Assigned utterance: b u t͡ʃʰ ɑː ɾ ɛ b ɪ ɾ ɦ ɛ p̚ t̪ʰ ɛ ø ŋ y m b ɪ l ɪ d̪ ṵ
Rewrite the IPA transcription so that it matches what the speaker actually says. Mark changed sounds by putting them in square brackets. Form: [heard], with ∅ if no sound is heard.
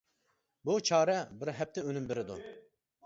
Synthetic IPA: b u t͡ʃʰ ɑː ɾ ɛ b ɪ ɾ ɦ ɛ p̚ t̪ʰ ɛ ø [n] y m b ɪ [ɾ] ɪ d̪ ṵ

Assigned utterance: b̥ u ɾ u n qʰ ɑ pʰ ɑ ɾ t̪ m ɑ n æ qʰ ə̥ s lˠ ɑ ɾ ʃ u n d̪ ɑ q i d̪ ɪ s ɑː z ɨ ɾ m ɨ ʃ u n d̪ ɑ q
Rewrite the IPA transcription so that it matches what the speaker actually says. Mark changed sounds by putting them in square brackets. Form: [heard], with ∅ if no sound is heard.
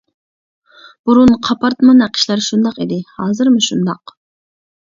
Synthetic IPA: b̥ u ɾ u n qʰ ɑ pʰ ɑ ɾ t̪ m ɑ n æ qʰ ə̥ [ʃ] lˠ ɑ ɾ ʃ u n d̪ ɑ q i d̪ ɪ [h] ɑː z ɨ ɾ m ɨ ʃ u n d̪ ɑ q

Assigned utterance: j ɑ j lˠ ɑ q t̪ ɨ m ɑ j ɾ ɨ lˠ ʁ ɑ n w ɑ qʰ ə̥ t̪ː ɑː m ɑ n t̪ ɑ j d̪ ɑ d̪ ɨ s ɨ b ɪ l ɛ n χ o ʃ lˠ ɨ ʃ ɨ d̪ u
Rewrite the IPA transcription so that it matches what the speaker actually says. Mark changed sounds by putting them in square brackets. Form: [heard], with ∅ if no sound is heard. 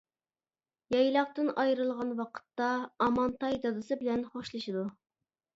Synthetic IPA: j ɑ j lˠ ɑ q t̪ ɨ [n] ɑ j ɾ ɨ lˠ ʁ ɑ n w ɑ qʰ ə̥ t̪ː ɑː m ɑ n t̪ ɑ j d̪ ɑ d̪ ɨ s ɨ b ɪ l ɛ n χ o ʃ lˠ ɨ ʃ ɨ d̪ u

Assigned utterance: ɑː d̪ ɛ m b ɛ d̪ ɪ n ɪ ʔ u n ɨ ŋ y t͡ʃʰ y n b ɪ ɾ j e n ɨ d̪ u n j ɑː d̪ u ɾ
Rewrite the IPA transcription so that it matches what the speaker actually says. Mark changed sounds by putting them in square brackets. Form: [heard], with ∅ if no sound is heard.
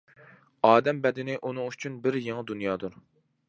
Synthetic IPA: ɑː d̪ ɛ m b ɛ d̪ ɪ n ɪ ʔ u n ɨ ŋ y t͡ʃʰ y n b ɪ ɾ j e [ŋ] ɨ d̪ u n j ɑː d̪ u ɾ

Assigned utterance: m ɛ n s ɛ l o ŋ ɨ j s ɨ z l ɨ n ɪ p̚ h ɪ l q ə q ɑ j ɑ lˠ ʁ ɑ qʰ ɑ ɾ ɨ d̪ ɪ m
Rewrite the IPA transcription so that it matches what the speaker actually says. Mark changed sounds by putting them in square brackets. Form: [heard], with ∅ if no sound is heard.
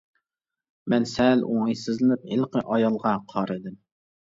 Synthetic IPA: m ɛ n s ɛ l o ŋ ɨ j s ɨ z l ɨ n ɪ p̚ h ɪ l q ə [ʔ] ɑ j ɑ lˠ ʁ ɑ qʰ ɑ ɾ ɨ d̪ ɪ m

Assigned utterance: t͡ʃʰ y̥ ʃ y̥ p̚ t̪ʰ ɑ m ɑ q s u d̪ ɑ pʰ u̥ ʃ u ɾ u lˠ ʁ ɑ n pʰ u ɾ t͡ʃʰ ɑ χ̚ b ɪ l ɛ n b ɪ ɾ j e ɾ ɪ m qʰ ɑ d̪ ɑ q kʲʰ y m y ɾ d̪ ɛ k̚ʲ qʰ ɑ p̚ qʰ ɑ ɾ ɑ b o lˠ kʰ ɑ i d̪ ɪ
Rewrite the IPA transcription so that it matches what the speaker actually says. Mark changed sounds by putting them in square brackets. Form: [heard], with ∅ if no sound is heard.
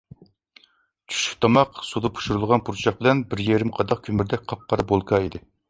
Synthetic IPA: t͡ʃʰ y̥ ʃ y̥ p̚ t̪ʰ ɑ m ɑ q s u d̪ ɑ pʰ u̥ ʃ u ɾ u lˠ ʁ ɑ n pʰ u ɾ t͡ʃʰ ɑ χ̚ b ɪ l ɛ n b ɪ ɾ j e ɾ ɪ m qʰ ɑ d̪ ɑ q kʲʰ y m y ɾ d̪ ɛ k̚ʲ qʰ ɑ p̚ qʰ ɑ ɾ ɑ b o lˠ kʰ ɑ i d̪ ɪ

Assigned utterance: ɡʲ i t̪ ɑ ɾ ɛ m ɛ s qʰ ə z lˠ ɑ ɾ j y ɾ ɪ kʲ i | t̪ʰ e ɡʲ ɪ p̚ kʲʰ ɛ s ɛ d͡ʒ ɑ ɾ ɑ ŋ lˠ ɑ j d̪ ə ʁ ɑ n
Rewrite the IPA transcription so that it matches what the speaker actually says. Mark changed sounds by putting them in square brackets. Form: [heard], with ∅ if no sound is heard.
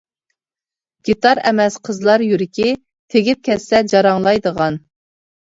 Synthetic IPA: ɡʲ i t̪ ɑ ɾ ɛ m ɛ s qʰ ə z lˠ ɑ ɾ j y ɾ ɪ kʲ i | t̪ʰ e ɡʲ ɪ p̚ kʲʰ ɛ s ɛ d͡ʒ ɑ ɾ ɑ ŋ lˠ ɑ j d̪ ə ʁ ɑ n

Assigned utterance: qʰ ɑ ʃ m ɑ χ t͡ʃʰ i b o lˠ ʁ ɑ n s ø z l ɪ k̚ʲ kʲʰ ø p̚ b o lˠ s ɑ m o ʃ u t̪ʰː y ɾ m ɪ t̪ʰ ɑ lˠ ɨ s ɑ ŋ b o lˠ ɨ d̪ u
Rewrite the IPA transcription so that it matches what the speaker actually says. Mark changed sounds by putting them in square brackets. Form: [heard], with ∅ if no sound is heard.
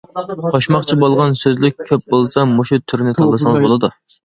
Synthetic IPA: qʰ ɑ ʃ m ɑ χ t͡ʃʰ i b o lˠ ʁ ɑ n s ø z l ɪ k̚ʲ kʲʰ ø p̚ b o lˠ s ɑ m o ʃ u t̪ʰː y ɾ [n] ɪ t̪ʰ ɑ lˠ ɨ s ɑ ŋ b o lˠ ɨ d̪ u

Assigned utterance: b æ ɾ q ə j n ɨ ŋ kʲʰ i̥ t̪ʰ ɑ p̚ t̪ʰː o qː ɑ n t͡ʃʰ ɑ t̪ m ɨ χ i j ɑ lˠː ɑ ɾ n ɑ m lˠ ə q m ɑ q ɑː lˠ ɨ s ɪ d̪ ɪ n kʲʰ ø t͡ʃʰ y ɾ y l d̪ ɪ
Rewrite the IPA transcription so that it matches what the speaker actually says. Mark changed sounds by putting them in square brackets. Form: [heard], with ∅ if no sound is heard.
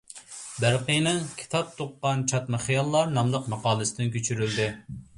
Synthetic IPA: b æ ɾ q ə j n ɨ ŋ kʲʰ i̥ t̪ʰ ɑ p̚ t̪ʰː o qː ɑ n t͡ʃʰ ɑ t̪ m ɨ χ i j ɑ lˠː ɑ ɾ n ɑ m lˠ ə q m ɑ q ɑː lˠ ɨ s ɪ d̪ ɪ n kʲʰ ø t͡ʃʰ y ɾ y l d̪ ɪ

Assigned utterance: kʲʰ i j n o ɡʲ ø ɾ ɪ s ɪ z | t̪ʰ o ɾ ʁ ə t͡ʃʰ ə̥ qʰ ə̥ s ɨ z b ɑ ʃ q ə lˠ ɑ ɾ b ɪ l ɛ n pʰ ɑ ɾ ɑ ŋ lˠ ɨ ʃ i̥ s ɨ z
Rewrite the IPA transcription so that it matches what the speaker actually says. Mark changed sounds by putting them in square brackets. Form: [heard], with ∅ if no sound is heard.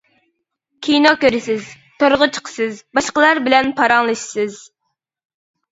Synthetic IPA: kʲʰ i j n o [kʲ] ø ɾ ɪ s ɪ z | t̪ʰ o ɾ ʁ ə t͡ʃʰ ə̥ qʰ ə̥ s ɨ z b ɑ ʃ q ə lˠ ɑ ɾ b ɪ l ɛ n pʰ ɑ ɾ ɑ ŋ lˠ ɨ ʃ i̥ s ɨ z

